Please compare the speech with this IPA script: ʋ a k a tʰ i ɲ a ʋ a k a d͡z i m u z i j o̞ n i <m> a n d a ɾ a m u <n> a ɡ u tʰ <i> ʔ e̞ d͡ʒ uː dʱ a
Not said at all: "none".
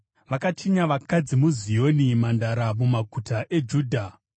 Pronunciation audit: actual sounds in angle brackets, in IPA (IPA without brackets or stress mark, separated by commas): m, m, a